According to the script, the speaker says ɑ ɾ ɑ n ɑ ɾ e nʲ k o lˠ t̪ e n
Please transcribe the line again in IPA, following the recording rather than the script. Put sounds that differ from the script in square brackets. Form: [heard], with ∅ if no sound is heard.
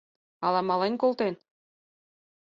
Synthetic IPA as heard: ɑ [l] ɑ [m] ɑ [l] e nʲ k o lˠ t̪ e n